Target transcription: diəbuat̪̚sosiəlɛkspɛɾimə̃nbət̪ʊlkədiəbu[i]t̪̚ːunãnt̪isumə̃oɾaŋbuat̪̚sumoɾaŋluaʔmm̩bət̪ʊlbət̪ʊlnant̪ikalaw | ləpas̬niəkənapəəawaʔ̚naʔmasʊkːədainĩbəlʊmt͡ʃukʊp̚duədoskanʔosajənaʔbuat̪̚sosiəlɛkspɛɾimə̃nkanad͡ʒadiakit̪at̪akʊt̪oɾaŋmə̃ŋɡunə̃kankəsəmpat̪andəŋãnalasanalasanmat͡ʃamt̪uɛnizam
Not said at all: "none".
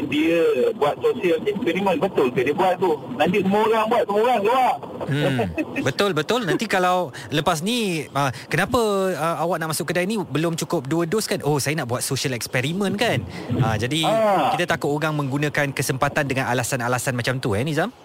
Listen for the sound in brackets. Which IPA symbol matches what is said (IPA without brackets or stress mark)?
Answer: a